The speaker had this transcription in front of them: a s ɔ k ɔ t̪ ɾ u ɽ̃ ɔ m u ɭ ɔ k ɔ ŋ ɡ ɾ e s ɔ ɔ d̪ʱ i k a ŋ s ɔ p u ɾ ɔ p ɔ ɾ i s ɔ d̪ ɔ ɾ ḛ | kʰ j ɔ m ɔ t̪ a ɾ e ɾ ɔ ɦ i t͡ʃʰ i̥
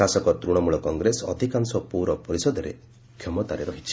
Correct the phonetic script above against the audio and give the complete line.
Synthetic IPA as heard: a s ɔ k ɔ t̪ ɾ u ɽ̃ ɔ m u ɭ ɔ k ɔ ŋ ɡ ɾ e s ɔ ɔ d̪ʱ i k a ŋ s ɔ p u ɾ ɔ p ɔ ɾ i s ɔ d̪ ɔ ɾ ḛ | kʰ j ɔ m ɔ t̪ a ɾ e ɾ ɔ ɦ i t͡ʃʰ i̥